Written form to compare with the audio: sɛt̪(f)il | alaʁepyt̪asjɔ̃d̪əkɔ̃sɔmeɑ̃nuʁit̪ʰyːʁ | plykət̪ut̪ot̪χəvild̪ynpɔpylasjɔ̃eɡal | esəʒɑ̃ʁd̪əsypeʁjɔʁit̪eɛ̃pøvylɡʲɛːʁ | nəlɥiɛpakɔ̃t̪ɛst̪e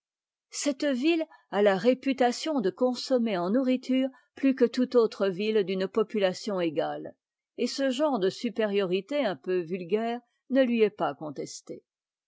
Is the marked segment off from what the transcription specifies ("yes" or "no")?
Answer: yes